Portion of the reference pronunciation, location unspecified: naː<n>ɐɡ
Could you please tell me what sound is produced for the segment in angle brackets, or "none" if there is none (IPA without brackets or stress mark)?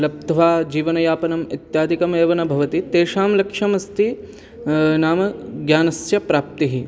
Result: m